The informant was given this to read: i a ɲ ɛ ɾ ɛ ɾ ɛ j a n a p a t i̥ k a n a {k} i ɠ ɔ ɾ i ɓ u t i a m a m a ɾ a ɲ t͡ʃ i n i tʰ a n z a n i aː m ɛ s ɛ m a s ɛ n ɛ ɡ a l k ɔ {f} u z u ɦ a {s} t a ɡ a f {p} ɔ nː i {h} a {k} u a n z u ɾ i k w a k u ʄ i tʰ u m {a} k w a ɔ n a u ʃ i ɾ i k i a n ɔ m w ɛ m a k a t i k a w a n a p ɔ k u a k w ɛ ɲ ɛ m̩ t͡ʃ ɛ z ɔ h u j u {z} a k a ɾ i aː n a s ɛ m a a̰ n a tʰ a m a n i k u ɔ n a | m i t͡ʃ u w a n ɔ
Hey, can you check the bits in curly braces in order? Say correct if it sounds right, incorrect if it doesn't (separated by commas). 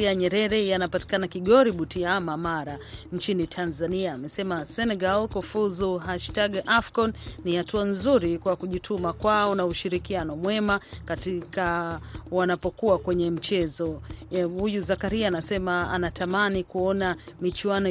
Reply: correct, correct, incorrect, incorrect, correct, incorrect, correct, correct